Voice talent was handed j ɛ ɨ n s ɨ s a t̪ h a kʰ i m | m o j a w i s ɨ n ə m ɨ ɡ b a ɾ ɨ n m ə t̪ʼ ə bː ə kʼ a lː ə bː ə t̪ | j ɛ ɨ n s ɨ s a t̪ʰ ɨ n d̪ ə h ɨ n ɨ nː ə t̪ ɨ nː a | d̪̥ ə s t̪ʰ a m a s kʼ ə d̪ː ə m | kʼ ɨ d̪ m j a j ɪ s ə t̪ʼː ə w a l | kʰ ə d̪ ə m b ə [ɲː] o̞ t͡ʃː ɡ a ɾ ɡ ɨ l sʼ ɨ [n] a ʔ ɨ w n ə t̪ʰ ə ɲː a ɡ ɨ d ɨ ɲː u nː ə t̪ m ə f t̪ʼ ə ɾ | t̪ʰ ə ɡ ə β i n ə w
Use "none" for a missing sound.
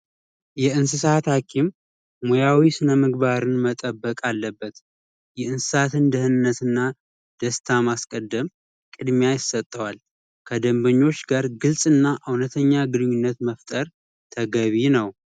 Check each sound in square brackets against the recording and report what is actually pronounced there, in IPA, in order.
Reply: ɲː, nː

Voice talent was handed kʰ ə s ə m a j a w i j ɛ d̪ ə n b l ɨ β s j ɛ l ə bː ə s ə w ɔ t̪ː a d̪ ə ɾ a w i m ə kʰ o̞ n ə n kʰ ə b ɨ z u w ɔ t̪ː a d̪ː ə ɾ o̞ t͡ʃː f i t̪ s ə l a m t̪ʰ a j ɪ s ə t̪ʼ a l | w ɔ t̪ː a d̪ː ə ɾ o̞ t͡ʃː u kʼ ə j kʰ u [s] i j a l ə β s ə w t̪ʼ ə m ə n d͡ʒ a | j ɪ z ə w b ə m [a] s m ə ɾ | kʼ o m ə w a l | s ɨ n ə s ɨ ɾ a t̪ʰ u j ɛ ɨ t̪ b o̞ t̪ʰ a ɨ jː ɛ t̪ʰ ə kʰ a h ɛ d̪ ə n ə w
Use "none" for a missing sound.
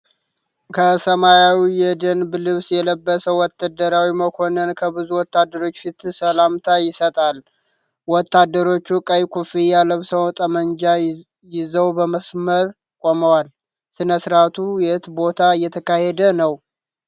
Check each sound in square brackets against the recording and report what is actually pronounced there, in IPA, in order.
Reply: f, ə

